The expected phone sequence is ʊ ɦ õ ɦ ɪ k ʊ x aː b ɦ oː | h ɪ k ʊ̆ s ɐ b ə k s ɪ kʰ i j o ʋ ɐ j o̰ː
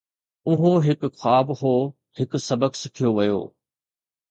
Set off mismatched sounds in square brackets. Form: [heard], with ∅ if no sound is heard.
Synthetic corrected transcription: ʊ ɦ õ ɦ ɪ k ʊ x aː b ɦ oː | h ɪ k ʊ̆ s ɐ b ə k s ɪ kʰ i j o ʋ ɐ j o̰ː